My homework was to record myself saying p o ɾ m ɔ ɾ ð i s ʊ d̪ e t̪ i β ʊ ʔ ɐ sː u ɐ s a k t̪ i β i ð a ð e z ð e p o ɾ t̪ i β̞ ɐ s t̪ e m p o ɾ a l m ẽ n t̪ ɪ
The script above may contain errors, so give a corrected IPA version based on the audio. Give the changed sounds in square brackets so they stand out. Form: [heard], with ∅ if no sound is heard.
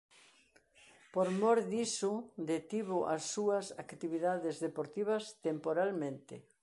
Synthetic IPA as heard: p o ɾ m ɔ ɾ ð i s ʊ d̪ e t̪ i β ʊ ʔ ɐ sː u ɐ s a k t̪ i β i ð a ð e z ð e p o ɾ t̪ i β̞ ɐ s t̪ e m p o ɾ a l m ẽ n t̪ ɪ